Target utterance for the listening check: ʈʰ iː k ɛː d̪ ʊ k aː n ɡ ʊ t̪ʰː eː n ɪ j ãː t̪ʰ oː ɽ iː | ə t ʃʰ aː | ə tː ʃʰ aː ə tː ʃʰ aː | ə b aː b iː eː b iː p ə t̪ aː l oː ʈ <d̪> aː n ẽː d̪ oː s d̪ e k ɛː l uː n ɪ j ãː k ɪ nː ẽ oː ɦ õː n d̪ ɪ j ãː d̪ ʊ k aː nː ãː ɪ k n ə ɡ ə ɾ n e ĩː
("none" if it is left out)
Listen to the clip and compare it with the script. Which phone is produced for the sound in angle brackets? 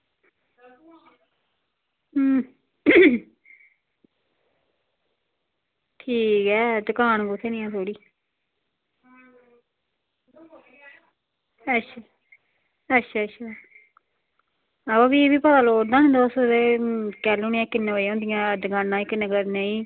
d̪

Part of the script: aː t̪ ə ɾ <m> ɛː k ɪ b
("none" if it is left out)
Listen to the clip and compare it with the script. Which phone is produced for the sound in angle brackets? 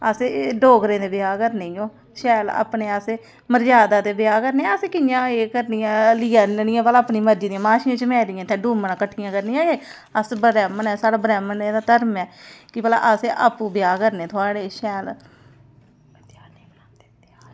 m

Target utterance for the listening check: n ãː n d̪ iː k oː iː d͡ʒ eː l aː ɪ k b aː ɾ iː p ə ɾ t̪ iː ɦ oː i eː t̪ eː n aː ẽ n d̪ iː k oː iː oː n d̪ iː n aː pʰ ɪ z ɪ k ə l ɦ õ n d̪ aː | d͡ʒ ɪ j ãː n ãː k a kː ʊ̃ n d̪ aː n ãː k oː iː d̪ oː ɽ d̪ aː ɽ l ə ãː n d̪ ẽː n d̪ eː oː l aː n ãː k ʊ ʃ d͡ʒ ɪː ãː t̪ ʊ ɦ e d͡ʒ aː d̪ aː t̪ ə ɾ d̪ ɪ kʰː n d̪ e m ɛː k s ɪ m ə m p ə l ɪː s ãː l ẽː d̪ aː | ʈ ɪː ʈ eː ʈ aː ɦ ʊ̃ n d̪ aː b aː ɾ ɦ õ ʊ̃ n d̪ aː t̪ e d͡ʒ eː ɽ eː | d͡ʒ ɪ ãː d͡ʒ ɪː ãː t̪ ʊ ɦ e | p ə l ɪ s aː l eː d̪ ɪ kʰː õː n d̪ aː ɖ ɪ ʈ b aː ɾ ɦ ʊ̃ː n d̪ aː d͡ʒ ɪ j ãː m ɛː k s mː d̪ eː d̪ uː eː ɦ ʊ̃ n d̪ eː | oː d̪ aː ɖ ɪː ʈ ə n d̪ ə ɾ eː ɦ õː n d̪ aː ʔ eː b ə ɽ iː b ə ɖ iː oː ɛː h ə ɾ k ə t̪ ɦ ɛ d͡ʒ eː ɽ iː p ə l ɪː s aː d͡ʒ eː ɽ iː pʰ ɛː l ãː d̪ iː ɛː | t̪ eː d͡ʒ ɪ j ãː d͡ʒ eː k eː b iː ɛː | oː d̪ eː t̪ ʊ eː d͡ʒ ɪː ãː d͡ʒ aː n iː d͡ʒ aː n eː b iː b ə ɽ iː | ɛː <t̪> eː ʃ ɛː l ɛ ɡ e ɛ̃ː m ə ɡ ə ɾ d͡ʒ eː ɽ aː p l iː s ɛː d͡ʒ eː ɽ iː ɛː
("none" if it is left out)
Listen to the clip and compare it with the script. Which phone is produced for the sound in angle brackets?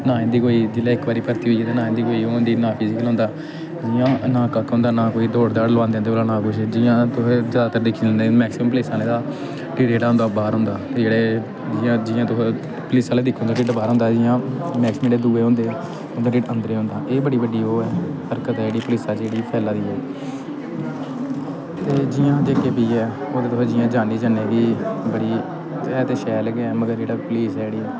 t̪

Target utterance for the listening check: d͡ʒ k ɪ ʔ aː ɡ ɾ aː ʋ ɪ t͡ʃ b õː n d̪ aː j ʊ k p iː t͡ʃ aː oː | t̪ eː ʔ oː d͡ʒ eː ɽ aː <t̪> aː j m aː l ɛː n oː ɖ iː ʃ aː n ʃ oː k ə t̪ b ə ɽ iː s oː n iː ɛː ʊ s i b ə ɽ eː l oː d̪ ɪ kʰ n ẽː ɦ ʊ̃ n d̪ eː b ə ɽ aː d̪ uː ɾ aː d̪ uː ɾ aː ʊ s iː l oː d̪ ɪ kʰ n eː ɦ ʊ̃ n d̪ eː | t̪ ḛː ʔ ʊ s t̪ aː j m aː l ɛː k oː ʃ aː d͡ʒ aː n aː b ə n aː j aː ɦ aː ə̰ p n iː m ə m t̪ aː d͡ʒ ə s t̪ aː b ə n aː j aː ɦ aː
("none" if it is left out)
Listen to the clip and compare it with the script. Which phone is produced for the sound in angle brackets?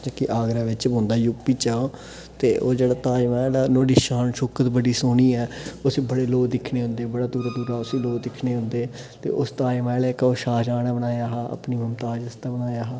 t̪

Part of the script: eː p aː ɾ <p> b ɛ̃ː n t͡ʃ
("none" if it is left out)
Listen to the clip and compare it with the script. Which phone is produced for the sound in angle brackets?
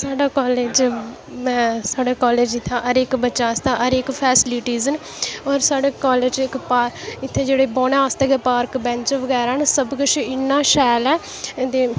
k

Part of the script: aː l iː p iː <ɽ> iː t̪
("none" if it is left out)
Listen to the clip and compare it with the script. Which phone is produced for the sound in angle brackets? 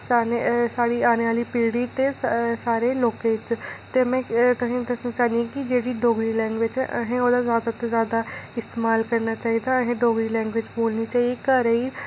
ɽ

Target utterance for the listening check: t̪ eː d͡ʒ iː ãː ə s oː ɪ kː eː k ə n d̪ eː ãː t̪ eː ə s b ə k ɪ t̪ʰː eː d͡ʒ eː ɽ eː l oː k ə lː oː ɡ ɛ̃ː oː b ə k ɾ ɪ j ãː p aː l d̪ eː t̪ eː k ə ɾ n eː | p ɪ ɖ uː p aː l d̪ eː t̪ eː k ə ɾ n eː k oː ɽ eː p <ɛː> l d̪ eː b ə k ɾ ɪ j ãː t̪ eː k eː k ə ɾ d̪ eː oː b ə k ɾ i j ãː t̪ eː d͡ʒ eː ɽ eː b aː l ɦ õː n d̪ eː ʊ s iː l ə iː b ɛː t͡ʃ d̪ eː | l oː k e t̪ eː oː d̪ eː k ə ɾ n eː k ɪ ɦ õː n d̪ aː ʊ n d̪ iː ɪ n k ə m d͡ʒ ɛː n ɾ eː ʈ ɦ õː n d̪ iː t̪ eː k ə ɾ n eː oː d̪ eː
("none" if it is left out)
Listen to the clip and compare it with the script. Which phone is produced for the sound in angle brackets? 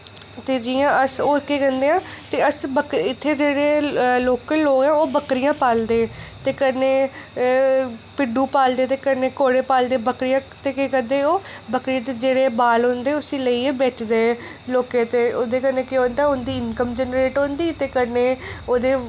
aː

